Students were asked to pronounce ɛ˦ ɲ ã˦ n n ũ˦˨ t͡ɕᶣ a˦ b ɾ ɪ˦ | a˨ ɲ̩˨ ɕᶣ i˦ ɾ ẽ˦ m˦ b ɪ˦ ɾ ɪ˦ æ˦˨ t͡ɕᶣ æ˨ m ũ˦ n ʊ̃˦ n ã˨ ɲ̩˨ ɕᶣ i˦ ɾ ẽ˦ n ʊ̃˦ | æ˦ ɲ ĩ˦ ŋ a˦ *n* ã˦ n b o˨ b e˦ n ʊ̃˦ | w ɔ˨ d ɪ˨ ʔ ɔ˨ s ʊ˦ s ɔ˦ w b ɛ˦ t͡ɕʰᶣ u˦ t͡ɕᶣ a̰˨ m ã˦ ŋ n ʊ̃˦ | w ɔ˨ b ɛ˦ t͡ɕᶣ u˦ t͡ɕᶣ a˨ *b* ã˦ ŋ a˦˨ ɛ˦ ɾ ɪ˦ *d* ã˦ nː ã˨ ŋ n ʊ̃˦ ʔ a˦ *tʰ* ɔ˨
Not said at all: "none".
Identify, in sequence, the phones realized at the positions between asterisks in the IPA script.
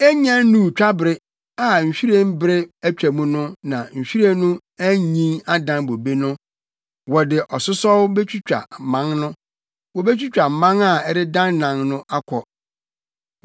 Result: d, m, d, kʰ

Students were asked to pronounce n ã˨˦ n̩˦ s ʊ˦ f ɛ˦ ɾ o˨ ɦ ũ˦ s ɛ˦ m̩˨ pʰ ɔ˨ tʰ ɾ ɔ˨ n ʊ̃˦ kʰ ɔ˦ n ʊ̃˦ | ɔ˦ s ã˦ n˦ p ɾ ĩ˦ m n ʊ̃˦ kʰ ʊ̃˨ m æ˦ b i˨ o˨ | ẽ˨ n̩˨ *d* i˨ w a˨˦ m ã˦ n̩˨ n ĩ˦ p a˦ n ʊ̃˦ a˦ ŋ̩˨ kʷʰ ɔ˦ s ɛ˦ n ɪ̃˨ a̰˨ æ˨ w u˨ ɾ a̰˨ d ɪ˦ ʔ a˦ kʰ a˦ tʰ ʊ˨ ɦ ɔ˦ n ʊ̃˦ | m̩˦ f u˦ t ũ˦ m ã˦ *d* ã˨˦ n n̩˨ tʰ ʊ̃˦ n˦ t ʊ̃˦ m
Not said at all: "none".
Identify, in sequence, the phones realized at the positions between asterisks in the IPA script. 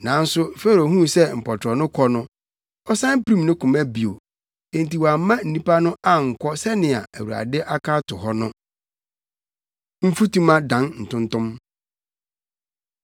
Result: t, d

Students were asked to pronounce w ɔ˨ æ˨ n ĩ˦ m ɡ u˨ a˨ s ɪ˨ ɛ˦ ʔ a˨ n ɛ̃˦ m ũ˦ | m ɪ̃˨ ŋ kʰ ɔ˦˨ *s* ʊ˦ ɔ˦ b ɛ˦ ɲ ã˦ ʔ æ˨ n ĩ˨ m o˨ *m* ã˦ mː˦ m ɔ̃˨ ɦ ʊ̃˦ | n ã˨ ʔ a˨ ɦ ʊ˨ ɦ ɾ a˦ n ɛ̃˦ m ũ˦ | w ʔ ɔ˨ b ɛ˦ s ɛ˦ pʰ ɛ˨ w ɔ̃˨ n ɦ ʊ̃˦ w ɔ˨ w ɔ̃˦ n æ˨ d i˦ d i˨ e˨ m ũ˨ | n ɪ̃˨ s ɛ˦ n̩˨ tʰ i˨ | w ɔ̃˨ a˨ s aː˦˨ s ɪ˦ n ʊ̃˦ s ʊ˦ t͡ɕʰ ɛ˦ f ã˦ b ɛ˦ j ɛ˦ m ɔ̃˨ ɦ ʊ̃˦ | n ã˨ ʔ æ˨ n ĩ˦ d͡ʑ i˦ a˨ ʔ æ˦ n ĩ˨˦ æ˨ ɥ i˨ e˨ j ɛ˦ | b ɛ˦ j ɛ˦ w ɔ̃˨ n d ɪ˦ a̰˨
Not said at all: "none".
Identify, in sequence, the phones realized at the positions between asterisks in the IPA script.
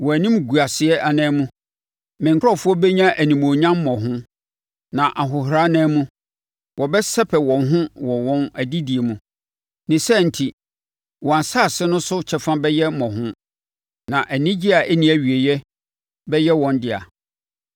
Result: f, ɲ

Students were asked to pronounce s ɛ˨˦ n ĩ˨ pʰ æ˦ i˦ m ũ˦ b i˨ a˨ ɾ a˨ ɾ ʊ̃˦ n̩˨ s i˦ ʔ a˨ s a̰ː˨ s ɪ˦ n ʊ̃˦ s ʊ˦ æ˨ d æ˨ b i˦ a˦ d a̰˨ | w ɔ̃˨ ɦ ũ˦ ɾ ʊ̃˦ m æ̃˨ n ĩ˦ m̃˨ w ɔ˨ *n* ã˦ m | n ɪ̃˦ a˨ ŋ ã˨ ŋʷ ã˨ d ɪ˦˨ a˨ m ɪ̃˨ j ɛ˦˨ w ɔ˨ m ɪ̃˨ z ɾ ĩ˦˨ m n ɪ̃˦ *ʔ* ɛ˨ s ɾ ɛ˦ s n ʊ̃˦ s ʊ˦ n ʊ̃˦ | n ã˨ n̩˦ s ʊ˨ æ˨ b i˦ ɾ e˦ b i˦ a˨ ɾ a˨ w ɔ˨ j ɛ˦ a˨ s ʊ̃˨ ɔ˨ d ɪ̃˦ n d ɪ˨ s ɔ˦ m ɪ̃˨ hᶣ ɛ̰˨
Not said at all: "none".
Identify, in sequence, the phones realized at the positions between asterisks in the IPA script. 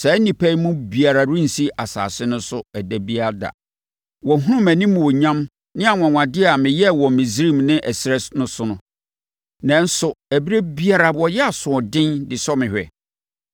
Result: ɲ, ʔ

